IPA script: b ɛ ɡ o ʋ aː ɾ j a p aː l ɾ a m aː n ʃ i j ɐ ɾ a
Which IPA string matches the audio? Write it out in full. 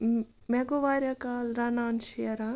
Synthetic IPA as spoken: m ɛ ɡ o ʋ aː ɾ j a k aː l ɾ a n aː n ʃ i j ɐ ɾ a